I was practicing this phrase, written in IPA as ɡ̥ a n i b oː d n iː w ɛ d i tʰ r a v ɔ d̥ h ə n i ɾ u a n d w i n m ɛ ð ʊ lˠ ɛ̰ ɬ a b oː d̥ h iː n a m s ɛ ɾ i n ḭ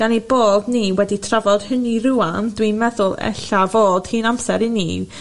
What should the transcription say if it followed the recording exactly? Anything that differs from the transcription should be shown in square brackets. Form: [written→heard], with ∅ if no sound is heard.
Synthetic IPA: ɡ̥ a n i b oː d n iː w ɛ d i tʰ r a v ɔ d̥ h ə n i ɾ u a n d w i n m ɛ ð ʊ lˠ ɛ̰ ɬ a [b→v] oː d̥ h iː n a m s ɛ ɾ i n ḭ